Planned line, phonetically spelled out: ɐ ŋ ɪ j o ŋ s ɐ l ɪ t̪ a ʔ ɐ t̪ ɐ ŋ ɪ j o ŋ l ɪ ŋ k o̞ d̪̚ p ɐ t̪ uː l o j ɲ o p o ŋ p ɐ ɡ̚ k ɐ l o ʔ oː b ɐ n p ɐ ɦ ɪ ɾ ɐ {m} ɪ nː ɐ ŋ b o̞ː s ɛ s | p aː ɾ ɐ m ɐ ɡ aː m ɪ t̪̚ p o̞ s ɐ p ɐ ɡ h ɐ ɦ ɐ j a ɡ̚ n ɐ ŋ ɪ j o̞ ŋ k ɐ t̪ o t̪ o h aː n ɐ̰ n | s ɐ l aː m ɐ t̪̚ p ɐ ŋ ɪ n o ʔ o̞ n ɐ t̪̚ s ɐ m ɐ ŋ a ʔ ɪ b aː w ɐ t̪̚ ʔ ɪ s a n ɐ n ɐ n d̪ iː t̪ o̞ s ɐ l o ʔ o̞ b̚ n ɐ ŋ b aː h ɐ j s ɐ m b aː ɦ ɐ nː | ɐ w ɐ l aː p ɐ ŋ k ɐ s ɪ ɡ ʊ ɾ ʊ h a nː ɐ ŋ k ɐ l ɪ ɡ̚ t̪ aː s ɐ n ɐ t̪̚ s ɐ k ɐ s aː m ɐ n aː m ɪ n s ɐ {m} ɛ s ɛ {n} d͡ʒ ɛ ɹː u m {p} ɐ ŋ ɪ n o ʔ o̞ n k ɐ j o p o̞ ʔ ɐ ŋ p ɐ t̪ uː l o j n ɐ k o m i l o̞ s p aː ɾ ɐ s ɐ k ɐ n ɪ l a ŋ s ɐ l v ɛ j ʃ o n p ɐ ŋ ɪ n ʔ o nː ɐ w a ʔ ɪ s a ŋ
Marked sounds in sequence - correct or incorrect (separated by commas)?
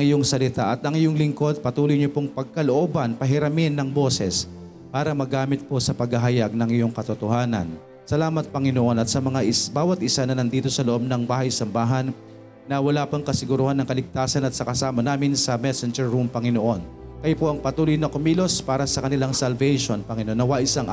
correct, correct, correct, correct